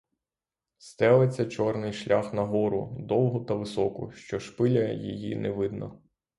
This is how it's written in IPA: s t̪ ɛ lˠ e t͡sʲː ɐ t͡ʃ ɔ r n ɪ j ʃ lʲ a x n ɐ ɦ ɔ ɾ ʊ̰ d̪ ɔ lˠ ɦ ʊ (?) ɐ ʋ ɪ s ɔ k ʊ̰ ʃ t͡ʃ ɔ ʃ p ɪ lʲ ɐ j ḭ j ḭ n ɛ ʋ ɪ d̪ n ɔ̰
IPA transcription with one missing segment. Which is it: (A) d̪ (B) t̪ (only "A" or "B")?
B